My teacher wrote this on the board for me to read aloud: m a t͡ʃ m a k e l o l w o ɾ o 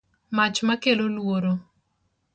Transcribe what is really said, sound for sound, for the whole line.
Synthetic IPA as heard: m a t͡ʃ m a k e l o l w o ɾ o